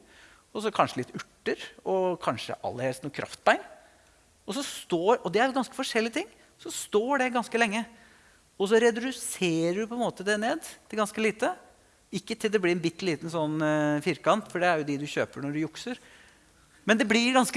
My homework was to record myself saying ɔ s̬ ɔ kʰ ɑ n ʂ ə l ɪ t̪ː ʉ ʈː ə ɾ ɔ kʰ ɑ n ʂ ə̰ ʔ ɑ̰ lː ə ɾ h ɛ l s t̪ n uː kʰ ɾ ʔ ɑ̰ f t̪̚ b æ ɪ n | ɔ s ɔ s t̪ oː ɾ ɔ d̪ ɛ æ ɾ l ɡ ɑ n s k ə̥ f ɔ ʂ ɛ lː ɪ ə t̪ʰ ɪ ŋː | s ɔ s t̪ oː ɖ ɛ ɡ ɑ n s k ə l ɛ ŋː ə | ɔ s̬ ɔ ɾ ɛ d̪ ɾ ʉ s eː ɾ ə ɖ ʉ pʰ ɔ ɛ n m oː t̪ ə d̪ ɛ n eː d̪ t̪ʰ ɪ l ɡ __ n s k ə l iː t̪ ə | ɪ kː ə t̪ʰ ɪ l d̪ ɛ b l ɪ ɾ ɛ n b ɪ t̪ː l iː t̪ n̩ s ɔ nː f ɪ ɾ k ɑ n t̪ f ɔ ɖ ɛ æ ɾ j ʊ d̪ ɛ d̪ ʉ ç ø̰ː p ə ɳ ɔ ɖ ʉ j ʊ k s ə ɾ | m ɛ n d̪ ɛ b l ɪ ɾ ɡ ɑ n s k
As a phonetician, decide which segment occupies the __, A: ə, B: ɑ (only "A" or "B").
B